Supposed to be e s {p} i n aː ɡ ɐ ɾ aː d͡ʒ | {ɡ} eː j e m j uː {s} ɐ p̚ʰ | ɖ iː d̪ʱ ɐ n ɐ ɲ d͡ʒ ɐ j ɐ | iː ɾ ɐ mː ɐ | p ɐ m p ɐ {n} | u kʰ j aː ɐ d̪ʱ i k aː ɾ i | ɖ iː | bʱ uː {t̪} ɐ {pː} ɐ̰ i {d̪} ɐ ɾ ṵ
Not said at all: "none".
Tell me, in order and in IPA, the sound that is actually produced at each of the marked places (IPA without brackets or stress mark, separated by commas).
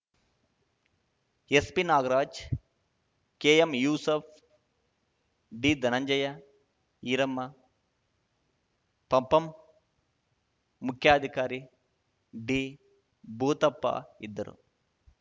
p, k, s, m, t̪, pː, d̪ː